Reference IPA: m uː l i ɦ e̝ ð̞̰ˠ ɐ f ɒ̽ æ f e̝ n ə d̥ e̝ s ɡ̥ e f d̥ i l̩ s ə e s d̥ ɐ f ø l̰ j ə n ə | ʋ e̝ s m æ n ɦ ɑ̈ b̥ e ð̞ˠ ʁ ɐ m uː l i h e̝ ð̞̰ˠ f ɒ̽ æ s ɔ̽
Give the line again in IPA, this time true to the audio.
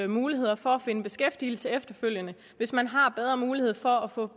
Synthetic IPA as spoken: m uː l i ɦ e̝ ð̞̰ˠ ɐ f ɒ̽ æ f e̝ n ə b̥ e̝ s ɡ̥ e f d̥ i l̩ s ə e f d̥ ɐ f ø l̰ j ə n ə | ʋ e̝ s m æ n ɦ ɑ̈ b̥ e ð̞ˠ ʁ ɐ m uː l i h e̝ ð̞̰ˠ f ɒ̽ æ f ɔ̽